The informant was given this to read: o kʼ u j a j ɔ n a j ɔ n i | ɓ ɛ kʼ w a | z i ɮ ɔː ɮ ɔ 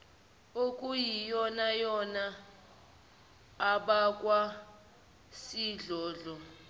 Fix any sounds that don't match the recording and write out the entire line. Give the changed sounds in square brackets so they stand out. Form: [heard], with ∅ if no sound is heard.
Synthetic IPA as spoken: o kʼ u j [i] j ɔ n a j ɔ n [a] | ɓ [a] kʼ w a | [s] i ɮ ɔː ɮ ɔ